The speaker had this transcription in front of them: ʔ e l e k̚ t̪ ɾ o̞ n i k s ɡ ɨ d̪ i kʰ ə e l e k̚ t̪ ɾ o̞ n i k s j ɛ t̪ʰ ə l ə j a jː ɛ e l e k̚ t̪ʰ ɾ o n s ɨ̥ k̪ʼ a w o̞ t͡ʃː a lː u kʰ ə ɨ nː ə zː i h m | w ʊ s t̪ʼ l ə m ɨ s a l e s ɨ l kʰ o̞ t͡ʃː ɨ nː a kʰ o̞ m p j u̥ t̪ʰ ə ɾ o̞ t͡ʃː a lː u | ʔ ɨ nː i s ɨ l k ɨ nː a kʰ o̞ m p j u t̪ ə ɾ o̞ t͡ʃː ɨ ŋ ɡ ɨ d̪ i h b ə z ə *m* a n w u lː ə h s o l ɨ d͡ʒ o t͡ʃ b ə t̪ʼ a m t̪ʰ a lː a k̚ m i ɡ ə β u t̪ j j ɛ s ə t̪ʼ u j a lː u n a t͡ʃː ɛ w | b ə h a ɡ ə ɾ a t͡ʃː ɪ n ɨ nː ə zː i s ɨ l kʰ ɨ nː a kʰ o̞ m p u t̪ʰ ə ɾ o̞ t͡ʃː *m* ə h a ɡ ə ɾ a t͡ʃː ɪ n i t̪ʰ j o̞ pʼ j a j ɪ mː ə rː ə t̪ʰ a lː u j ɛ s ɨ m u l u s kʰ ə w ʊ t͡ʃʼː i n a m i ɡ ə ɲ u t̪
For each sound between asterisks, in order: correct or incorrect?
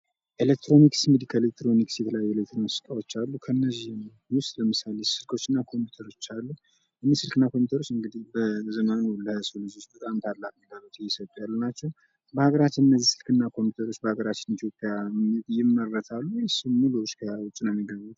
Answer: correct, incorrect: b

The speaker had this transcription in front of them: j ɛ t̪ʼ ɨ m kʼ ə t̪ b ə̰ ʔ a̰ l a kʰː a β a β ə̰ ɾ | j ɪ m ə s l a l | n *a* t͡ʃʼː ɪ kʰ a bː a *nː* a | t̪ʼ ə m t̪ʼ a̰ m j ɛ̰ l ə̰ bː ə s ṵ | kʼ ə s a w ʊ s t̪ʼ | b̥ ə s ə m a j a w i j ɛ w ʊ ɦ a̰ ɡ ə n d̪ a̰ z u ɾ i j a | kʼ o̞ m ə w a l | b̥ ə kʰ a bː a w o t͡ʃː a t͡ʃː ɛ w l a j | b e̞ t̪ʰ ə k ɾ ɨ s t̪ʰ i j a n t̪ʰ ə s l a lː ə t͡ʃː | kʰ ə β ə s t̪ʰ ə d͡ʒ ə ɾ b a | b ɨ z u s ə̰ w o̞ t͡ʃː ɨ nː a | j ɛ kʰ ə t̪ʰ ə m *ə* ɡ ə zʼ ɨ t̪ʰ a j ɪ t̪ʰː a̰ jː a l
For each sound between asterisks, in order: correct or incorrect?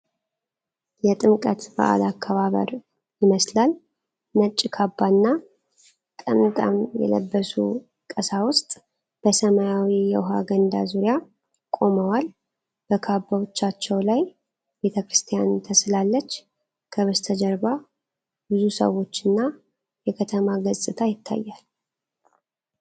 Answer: incorrect: ə, correct, incorrect: a

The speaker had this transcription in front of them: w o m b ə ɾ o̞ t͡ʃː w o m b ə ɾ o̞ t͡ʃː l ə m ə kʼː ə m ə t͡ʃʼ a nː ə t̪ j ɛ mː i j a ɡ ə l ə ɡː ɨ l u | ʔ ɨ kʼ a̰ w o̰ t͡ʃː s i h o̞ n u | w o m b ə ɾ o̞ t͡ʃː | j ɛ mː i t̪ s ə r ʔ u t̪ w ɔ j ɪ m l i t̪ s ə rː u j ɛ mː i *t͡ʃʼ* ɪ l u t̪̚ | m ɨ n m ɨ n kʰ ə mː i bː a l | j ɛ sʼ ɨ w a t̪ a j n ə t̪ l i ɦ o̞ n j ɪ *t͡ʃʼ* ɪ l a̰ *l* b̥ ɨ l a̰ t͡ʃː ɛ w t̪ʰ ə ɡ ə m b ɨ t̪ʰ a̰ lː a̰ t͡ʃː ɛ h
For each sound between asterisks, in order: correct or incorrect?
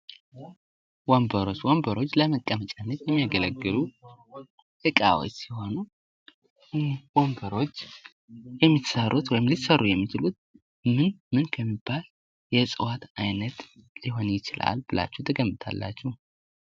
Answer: incorrect: t͡ʃ, incorrect: t͡ʃ, correct

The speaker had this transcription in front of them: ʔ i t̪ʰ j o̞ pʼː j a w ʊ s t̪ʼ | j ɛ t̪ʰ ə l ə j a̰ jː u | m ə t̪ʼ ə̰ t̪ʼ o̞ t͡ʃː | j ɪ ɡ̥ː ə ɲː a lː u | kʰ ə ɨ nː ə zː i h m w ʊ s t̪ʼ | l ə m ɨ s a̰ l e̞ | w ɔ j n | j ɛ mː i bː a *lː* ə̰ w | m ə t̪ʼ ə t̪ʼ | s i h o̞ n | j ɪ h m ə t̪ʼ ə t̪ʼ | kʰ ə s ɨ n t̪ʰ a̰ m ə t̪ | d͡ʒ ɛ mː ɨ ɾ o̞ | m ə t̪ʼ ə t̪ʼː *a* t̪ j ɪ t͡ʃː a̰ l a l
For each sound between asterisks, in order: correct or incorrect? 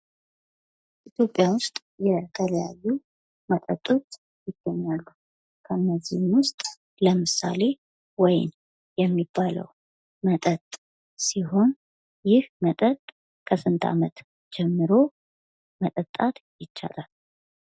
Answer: incorrect: l, correct

